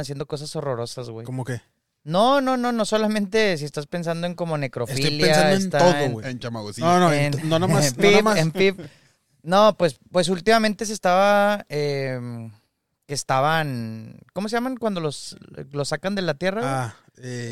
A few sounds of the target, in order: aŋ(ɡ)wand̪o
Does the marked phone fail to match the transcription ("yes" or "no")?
yes